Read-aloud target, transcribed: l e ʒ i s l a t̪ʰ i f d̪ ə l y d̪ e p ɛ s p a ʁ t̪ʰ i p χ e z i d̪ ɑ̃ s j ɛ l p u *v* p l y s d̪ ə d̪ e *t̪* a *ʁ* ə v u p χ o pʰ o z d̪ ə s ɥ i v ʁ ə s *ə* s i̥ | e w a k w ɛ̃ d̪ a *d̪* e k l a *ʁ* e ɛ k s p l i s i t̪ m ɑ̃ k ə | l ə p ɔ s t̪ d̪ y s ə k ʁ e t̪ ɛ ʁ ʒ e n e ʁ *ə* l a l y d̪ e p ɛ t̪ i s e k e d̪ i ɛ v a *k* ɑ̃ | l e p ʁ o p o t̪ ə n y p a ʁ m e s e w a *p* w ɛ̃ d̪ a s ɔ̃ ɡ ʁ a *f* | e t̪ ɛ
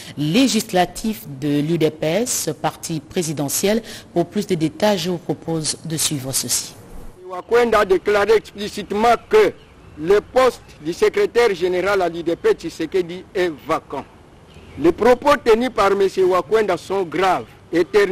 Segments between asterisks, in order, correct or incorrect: incorrect: ʁ, correct, incorrect: ʒ, correct, correct, correct, incorrect: a, correct, incorrect: k, incorrect: v

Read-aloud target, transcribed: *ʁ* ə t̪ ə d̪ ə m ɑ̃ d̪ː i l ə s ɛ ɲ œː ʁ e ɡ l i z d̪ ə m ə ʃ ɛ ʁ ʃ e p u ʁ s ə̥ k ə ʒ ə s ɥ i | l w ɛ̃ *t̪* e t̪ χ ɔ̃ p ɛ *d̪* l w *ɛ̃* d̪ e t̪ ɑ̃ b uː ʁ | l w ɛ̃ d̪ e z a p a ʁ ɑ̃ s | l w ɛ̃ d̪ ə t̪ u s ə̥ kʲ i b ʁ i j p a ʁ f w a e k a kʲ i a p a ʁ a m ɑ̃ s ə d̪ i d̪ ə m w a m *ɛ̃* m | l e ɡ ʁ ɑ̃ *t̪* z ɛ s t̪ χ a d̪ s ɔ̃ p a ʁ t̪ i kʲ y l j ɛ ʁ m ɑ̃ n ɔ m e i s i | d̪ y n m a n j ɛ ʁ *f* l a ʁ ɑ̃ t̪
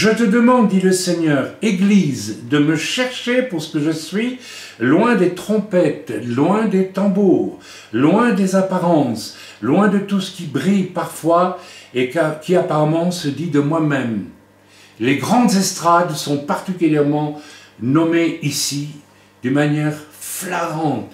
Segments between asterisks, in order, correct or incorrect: incorrect: ʒ, incorrect: d̪, incorrect: t̪, correct, incorrect: ɛ, incorrect: d̪, correct

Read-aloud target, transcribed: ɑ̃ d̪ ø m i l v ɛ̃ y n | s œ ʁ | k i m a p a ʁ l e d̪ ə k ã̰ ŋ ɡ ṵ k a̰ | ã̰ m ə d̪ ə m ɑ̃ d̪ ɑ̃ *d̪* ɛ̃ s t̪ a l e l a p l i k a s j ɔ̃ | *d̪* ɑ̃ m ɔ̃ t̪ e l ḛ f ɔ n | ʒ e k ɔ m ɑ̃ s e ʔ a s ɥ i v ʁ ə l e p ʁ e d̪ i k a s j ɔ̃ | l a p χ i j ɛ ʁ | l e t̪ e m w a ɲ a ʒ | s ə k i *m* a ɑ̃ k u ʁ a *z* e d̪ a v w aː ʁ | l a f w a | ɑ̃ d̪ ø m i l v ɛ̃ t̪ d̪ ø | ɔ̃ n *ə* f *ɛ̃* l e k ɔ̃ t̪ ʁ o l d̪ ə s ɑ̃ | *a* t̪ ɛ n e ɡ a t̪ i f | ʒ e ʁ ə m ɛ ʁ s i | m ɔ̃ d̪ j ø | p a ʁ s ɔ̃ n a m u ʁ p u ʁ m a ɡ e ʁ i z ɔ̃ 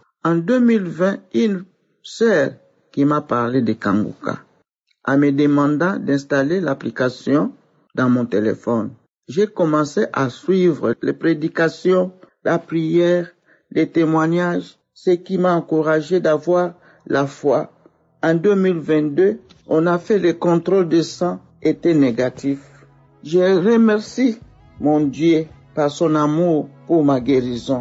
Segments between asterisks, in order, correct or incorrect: correct, correct, correct, incorrect: ʒ, incorrect: a, incorrect: ɛ, incorrect: e

